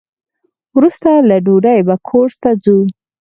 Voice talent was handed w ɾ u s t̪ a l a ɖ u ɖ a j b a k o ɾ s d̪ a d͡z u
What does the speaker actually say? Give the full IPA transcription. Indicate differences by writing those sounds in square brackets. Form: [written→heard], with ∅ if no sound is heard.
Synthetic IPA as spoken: w ɾ u s t̪ a l a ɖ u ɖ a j b a [k→kʰ] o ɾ s [d̪→t̪] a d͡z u